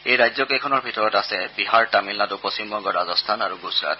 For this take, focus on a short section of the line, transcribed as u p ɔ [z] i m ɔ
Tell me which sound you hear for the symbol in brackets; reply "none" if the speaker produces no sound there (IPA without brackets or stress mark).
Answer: s